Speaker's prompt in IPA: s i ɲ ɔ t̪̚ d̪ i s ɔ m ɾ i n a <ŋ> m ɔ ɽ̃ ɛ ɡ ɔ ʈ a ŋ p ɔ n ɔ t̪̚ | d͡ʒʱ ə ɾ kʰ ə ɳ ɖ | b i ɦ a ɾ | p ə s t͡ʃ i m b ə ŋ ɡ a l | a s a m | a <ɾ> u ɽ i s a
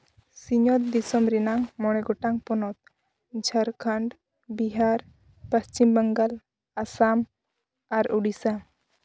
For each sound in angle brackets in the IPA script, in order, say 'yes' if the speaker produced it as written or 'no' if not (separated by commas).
yes, yes